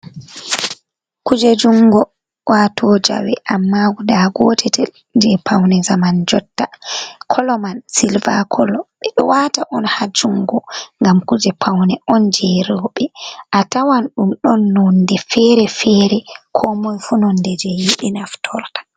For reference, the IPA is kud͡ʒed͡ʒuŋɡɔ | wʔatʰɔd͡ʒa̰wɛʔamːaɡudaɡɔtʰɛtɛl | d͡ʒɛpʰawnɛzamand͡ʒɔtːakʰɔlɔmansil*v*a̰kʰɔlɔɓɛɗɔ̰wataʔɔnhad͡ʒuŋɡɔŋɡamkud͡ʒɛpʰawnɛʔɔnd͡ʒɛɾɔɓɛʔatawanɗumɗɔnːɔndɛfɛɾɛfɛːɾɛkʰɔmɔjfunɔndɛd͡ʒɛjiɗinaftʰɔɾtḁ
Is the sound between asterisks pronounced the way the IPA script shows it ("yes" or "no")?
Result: yes